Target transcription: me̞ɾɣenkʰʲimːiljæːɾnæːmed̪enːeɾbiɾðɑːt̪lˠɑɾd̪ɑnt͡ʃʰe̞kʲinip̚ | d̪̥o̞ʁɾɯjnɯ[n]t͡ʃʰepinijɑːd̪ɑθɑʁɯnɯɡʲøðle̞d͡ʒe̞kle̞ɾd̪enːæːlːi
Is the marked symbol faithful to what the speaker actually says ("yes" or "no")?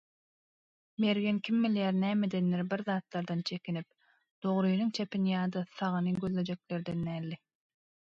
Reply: no